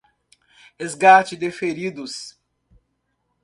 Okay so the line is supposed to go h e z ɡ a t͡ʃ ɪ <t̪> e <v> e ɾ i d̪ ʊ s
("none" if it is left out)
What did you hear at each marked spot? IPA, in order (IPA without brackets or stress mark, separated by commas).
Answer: d̪, f